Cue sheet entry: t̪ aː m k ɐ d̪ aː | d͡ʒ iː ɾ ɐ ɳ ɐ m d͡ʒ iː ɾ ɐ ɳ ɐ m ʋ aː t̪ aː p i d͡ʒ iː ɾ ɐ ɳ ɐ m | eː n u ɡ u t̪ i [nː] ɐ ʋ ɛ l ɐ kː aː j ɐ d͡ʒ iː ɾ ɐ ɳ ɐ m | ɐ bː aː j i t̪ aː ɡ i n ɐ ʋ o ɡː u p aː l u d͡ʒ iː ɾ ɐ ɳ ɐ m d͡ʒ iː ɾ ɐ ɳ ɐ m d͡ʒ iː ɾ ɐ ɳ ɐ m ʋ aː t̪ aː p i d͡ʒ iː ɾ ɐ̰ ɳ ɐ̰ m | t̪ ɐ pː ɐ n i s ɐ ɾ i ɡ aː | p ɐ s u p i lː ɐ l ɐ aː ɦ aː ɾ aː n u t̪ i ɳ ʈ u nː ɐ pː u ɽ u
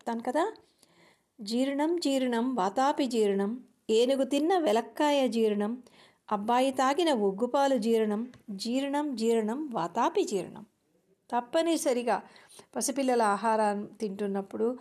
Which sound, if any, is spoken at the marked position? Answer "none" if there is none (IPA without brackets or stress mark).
nː